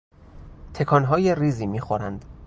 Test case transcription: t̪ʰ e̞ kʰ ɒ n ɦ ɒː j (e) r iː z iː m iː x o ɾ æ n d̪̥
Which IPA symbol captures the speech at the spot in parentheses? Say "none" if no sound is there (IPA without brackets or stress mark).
e